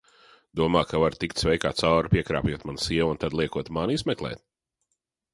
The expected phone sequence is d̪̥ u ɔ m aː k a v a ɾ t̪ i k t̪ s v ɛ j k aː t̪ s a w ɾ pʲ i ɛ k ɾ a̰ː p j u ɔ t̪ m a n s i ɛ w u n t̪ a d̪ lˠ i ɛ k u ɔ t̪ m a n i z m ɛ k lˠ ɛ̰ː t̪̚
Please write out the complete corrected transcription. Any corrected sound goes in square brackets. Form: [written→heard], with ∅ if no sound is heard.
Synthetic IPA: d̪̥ u ɔ m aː k a v a ɾ t̪ i k t̪ s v ɛ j k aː t̪ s a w ɾ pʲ i ɛ k ɾ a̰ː p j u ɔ t̪ m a n s i ɛ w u n t̪ a d̪ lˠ i ɛ k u ɔ t̪ m a n i z m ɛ k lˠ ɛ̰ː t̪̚